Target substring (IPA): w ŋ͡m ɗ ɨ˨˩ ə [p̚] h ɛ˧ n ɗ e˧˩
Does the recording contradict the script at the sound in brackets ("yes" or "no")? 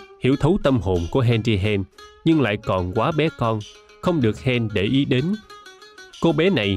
yes